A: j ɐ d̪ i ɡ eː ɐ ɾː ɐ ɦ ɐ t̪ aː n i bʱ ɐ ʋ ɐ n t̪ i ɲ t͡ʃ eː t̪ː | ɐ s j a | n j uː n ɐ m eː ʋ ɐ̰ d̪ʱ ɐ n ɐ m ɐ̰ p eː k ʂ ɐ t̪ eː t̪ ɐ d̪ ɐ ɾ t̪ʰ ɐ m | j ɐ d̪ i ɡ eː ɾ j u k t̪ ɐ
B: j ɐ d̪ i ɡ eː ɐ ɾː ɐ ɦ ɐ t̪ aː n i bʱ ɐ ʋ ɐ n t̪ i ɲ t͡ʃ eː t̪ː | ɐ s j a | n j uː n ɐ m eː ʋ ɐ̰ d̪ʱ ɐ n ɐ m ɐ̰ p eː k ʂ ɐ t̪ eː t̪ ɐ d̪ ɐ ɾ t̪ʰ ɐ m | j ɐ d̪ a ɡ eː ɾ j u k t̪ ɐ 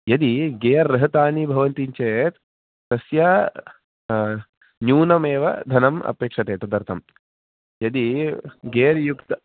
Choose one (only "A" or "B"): A